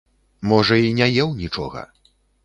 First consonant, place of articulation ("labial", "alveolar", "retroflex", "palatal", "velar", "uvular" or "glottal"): labial